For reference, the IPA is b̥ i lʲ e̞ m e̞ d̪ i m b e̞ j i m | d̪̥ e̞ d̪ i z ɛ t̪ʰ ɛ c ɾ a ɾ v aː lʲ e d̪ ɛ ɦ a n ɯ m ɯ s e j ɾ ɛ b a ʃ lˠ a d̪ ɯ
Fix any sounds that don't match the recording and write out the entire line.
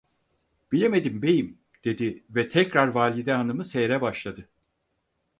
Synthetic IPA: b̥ i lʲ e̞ m e̞ d̪ i m b e̞ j i m | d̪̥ e̞ d̪ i v ɛ t̪ʰ ɛ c ɾ a ɾ v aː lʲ i d̪ ɛ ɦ a n ɯ m ɯ s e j ɾ ɛ b a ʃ lˠ a d̪ ɯ